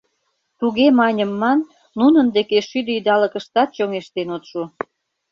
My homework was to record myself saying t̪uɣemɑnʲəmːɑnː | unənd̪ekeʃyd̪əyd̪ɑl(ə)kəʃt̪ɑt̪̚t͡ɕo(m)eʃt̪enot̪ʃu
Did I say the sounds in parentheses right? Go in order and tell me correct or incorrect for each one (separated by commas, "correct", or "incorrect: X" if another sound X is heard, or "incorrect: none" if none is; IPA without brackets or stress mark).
correct, incorrect: ŋ